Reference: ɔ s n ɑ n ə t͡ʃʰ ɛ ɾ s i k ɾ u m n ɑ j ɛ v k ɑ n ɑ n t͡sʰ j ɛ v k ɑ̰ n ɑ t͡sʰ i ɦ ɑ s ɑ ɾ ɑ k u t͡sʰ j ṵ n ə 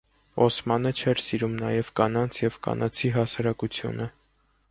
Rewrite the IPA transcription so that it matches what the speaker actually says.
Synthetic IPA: ɔ s m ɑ n ə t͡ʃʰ ɛ ɾ s i ɾ u m n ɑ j ɛ v k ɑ n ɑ n t͡sʰ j ɛ v k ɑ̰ n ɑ t͡sʰ i ɦ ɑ s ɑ ɾ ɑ k u t͡sʰ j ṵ n ə